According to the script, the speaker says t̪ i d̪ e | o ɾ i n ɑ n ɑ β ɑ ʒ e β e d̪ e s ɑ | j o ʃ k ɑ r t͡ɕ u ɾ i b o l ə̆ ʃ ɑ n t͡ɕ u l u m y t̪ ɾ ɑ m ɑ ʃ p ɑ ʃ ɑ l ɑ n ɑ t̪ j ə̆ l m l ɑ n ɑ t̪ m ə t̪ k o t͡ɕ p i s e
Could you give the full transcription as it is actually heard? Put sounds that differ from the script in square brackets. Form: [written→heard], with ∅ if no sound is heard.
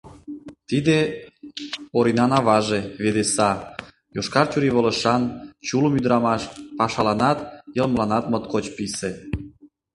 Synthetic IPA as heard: t̪ i d̪ e | o ɾ i n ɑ n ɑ β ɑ ʒ e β e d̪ e s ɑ | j o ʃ k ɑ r t͡ɕ u ɾ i [b→β] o l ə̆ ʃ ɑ n t͡ɕ u l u m y [t̪→d̪] ɾ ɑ m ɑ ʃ p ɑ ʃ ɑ l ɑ n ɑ t̪ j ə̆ l m l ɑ n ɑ t̪ m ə t̪ k o t͡ɕ p i s e